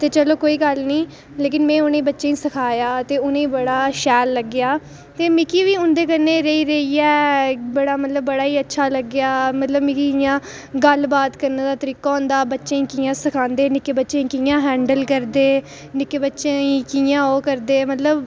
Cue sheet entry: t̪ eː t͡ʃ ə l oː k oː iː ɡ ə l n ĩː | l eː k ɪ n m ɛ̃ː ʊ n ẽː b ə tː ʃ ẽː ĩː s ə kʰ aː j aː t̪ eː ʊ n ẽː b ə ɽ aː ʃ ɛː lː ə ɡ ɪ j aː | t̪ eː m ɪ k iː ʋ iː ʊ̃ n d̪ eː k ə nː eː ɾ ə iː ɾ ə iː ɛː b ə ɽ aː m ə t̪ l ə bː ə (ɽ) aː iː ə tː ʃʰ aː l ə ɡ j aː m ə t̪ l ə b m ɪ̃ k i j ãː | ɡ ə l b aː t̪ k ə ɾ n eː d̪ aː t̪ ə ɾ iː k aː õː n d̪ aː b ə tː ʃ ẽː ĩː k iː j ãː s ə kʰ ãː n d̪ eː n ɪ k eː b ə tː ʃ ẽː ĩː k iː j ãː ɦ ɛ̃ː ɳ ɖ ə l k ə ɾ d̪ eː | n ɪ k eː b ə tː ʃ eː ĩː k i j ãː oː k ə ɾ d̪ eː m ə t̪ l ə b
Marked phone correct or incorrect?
correct